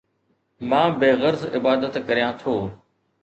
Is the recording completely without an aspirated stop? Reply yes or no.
no